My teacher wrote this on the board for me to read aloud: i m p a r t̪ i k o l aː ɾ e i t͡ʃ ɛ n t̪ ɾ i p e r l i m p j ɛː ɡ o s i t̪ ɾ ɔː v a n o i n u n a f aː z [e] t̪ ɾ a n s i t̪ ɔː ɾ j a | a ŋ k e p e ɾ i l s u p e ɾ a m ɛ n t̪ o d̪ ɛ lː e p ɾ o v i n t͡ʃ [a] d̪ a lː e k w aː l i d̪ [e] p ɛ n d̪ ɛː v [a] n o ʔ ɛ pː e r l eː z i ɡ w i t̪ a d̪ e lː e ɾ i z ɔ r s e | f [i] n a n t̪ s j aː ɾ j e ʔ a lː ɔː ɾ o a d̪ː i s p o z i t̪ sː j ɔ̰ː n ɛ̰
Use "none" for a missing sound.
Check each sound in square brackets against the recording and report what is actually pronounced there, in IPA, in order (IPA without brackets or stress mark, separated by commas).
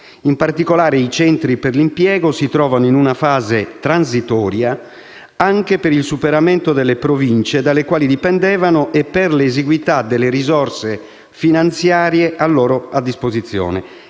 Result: e, e, i, a, i